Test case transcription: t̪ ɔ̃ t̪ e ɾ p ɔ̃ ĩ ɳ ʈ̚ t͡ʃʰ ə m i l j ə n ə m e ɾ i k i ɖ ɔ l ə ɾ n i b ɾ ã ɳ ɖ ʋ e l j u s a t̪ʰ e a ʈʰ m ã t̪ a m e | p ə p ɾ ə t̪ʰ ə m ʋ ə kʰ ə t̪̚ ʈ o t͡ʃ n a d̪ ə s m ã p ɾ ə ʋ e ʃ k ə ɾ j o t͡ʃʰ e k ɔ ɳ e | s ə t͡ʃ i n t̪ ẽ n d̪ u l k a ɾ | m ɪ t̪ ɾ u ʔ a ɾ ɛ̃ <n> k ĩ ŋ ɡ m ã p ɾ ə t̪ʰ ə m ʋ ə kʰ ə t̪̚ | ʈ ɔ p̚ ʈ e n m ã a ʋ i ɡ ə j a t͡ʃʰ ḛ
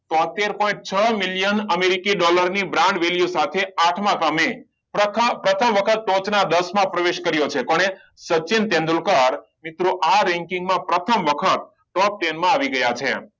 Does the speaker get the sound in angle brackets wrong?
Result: yes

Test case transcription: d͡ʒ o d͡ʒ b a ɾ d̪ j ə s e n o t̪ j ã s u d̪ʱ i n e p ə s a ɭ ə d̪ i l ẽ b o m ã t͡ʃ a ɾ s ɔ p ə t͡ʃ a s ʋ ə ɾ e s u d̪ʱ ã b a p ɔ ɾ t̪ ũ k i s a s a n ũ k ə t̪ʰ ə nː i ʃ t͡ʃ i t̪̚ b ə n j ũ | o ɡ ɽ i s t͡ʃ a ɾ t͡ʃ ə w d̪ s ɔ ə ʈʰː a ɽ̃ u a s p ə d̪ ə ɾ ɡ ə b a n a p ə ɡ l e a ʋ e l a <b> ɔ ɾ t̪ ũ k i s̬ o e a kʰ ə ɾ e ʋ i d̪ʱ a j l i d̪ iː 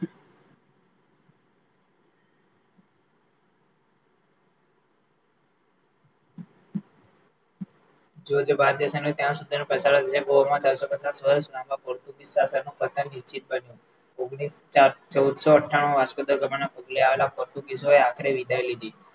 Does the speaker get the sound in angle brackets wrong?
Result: yes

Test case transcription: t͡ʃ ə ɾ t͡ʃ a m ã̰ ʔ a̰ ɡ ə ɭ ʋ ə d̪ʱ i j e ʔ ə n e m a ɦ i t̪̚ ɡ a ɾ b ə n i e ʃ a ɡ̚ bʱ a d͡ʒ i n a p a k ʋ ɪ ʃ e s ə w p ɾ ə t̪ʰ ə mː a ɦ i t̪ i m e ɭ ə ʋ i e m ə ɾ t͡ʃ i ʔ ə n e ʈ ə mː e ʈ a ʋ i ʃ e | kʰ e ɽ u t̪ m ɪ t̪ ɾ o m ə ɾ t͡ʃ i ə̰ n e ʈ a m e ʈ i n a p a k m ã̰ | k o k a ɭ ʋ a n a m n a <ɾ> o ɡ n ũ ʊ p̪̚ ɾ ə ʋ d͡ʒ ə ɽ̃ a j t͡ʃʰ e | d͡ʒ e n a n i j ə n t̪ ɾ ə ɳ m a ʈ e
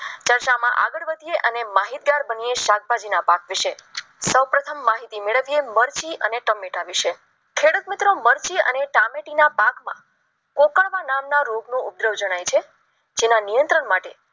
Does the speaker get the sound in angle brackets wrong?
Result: no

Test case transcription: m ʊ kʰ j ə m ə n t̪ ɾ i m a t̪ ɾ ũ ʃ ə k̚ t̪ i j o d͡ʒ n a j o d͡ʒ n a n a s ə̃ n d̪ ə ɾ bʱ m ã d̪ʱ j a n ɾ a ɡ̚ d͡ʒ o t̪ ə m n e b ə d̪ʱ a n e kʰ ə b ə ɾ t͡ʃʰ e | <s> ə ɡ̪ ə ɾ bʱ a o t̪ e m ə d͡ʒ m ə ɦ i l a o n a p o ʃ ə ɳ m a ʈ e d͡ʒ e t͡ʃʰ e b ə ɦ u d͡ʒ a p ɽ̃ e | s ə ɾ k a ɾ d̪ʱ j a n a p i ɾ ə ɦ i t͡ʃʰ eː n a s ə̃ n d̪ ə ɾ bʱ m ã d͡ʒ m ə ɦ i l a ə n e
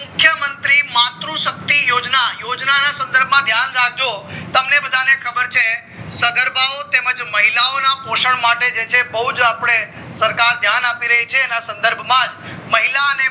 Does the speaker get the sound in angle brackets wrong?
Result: no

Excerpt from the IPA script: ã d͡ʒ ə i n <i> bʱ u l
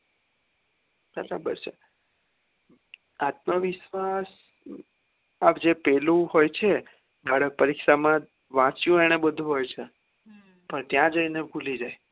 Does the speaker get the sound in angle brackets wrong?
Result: yes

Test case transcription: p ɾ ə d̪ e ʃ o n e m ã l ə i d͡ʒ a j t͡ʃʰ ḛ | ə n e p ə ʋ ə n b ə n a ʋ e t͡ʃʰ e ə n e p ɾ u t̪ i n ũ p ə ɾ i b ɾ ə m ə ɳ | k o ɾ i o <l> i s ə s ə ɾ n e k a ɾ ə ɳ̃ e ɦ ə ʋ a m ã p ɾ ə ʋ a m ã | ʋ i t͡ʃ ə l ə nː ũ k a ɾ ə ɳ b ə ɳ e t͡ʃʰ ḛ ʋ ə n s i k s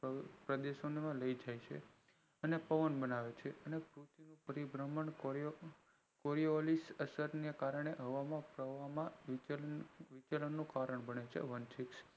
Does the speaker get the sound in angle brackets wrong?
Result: no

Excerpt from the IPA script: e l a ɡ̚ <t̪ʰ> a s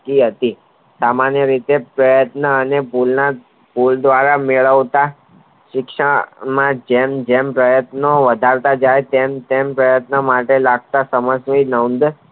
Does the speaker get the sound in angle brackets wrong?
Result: yes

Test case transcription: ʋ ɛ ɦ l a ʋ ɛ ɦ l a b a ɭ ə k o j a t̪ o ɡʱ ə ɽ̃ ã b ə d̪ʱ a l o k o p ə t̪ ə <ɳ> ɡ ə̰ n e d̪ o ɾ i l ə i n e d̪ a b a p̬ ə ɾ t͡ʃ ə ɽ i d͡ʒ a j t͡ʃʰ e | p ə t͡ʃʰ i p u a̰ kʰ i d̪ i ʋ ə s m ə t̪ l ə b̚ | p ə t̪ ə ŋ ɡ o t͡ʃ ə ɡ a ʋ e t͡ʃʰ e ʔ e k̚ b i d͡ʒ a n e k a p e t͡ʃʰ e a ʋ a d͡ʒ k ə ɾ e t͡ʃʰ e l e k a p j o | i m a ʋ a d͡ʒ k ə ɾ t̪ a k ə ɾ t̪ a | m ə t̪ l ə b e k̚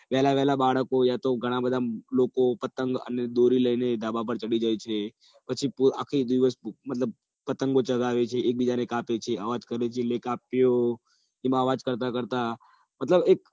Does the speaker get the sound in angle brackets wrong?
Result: yes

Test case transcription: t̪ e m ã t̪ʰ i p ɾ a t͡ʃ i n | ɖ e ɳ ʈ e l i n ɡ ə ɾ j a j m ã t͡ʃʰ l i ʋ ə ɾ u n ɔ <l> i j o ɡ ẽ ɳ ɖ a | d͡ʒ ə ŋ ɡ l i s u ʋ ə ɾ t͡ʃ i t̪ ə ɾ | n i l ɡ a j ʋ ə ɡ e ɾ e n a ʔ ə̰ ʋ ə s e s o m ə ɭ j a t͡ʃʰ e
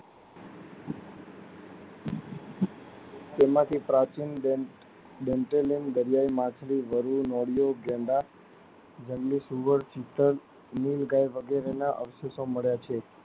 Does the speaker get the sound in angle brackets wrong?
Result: yes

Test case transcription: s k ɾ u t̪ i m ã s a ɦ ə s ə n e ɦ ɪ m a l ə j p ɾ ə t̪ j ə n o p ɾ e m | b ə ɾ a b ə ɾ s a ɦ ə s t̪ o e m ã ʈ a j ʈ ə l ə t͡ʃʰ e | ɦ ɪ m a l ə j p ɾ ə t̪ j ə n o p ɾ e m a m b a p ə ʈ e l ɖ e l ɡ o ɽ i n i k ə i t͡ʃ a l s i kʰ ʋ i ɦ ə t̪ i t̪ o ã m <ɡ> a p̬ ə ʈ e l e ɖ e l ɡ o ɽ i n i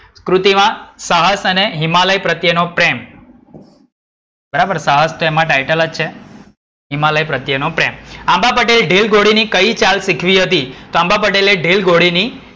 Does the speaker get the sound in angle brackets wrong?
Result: yes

